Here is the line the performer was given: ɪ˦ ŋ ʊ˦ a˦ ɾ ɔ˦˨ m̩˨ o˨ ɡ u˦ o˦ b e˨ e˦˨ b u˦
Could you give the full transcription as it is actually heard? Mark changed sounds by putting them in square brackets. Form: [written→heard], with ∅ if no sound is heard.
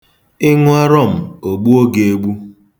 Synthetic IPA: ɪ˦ ŋ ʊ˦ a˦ ɾ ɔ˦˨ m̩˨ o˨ [ɡ→ɡ͡b] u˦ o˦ [b→ɡ] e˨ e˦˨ [b→ɡ͡b] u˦